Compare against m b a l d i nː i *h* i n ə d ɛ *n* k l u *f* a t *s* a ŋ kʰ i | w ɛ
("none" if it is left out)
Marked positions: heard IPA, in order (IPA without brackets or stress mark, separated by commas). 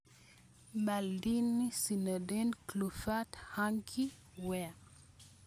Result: s, n, f, h